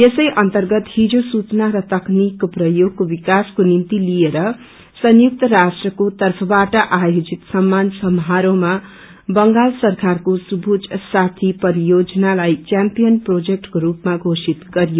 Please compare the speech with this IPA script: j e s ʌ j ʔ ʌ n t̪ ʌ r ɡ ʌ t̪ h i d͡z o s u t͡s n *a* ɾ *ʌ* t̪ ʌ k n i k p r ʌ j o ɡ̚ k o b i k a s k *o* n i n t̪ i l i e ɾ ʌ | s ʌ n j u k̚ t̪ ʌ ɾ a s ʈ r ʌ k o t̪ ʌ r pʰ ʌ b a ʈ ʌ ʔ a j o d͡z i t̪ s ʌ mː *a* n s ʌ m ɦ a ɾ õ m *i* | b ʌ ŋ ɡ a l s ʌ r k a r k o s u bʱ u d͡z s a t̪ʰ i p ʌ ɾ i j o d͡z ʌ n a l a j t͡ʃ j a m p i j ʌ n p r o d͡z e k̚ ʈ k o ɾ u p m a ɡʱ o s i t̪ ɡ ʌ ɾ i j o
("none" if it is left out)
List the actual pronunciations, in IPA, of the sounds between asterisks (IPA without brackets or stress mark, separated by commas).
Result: a, ʌ, o, a, a